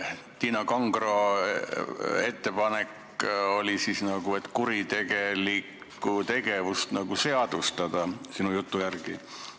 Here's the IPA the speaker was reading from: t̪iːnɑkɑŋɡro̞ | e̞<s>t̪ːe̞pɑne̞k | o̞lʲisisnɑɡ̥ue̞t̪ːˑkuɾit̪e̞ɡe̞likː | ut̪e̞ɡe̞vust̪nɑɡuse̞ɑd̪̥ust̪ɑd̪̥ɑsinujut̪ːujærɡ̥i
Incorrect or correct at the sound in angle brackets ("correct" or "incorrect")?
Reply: incorrect